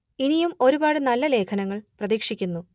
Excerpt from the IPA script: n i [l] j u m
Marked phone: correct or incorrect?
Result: incorrect